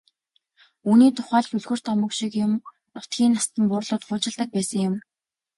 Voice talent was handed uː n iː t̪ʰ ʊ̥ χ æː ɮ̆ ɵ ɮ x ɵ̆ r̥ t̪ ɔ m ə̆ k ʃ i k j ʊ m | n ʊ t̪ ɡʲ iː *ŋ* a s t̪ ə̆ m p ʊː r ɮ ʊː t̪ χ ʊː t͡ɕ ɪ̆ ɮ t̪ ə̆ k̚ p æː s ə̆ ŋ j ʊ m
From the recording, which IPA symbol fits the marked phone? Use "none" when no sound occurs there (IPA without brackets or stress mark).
n